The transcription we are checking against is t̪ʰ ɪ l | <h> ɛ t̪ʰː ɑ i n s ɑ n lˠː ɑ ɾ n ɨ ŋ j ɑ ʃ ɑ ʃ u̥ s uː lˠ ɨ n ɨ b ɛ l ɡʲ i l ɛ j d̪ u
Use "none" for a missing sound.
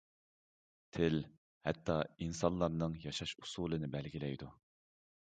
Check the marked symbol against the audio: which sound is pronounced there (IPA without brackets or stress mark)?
h